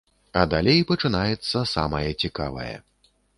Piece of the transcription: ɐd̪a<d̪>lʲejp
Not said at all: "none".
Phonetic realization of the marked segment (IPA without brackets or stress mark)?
none